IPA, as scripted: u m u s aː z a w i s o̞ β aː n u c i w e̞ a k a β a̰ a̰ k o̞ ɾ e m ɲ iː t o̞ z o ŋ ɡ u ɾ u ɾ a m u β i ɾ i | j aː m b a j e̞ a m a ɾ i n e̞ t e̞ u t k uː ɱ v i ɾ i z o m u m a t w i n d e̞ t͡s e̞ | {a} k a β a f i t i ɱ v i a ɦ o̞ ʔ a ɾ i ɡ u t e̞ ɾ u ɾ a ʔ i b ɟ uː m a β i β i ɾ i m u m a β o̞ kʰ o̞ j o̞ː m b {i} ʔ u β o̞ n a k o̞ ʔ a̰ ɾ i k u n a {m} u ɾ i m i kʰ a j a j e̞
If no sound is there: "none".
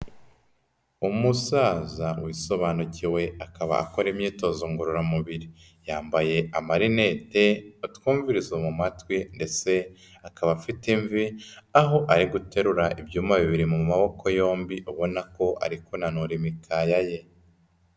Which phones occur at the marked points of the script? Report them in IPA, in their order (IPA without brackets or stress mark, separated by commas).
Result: a, i, n